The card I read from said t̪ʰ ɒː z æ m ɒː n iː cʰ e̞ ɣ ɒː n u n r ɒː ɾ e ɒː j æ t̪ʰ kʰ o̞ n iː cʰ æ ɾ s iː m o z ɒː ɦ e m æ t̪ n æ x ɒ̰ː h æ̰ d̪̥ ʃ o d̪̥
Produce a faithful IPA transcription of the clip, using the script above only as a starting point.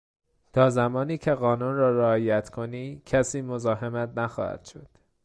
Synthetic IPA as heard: t̪ʰ ɒː z æ m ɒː n iː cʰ e̞ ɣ ɒː n u n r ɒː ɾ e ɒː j æ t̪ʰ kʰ o̞ n iː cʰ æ s iː m o z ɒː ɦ e m æ t̪ n æ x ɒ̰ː h æ̰ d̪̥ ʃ o d̪̥

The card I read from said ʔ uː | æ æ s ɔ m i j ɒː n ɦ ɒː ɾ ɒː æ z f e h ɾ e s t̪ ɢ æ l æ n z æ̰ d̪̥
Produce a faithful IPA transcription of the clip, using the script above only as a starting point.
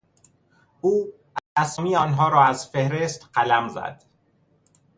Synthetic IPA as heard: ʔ uː | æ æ s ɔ m i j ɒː n ɦ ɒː ɾ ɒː æ z f e h ɾ e s t̪ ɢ æ l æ m z æ̰ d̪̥

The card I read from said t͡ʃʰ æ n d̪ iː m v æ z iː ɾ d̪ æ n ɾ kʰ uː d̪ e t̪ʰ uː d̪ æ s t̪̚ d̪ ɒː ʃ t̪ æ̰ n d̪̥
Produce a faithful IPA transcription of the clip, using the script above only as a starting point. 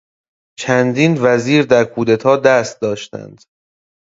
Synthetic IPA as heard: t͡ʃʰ æ n d̪ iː n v æ z iː ɾ d̪ æ ɾ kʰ uː d̪ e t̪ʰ ɒː d̪ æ s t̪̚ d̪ ɒː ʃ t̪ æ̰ n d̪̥

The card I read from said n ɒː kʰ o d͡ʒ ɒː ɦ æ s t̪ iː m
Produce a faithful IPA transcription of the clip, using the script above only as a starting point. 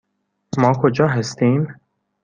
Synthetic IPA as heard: m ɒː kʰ o d͡ʒ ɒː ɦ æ s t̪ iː m

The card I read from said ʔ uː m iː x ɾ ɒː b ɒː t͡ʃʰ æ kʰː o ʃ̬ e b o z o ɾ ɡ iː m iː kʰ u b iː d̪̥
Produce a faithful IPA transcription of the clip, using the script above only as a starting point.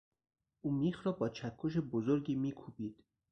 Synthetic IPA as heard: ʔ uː m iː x ɾ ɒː b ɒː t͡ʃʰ æ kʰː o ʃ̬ e b o z o ɾ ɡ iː m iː kʰ u b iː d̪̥

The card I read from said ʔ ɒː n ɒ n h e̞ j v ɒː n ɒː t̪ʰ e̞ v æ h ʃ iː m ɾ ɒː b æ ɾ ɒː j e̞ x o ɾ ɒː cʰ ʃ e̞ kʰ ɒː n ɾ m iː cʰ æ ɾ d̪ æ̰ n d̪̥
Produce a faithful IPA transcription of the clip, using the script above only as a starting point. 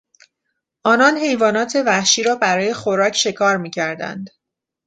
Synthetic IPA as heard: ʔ ɒː n ɒ n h e̞ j v ɒː n ɒː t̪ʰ e̞ v æ h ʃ iː ɾ ɒː b æ ɾ ɒː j e̞ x o ɾ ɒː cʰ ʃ e̞ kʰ ɒː ɾ m iː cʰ æ ɾ d̪ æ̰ n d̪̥

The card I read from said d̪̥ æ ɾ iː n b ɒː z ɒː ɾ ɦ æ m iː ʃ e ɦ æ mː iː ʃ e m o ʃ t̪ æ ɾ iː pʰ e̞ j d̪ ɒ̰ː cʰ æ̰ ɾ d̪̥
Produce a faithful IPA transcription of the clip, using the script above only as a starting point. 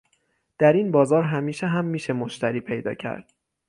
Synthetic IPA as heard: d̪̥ æ ɾ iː n b ɒː z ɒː ɾ ɦ æ m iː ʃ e ɦ æ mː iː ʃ e m o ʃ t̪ æ ɾ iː pʰ e̞ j d̪ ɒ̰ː cʰ æ̰ ɾ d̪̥

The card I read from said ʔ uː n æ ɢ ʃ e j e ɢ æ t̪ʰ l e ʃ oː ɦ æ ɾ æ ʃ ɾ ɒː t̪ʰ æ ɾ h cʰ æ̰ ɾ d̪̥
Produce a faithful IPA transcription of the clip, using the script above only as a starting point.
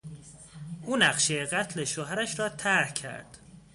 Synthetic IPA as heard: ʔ uː n æ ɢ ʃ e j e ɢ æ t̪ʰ l e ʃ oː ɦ æ ɾ æ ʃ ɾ ɒː t̪ʰ æ ɾ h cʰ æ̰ ɾ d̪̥

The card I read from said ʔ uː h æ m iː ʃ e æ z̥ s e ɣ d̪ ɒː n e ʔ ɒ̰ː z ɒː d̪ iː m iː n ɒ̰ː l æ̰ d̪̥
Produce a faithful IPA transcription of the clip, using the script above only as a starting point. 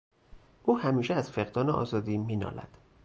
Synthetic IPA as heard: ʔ uː h æ m iː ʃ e æ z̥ f e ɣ d̪ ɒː n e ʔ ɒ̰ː z ɒː d̪ iː m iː n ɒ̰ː l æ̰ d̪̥

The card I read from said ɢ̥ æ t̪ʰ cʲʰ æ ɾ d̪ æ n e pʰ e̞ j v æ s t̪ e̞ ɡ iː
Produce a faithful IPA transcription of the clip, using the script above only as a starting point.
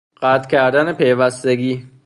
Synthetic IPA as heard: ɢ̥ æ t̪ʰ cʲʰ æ ɾ d̪ æ n e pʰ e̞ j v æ s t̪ e̞ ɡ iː

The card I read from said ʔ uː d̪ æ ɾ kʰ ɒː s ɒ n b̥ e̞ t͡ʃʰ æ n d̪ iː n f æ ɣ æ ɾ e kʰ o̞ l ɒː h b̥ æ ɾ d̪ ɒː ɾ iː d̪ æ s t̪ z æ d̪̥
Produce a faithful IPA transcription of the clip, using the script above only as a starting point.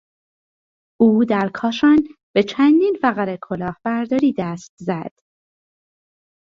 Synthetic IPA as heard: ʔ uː d̪ æ ɾ kʰ ɒː ʃ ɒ n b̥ e̞ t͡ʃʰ æ n d̪ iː n f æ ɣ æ ɾ e kʰ o̞ l ɒː h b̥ æ ɾ d̪ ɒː ɾ iː d̪ æ s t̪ z æ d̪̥

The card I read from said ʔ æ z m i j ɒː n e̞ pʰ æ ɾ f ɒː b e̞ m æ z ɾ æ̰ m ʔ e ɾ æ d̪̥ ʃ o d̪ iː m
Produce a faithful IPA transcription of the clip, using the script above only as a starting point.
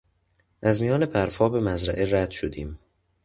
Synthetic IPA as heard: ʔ æ z m i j ɒː n e̞ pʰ æ ɾ f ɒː b e̞ m æ z ɾ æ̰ ʔ e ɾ æ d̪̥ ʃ o d̪ iː m

